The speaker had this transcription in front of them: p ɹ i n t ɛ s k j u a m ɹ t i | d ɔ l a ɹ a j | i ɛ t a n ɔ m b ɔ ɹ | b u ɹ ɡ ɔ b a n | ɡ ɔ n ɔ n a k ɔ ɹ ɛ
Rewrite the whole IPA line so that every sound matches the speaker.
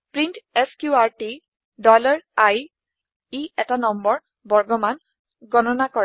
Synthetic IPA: p ɹ i n t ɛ s k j u a ɹ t i | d ɔ l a ɹ a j | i ɛ t a n ɔ m b ɔ ɹ | b ɔ ɹ ɡ ɔ m a n | ɡ ɔ n ɔ n a k ɔ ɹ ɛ